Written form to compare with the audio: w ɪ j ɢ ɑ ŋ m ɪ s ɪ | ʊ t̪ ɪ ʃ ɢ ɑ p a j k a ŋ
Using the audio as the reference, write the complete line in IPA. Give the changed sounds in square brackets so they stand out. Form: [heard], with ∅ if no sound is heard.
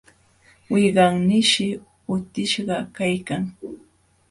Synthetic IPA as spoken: w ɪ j ɢ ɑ ŋ [n] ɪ [ʃ] ɪ | ʊ t̪ ɪ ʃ ɢ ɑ [k] a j k a ŋ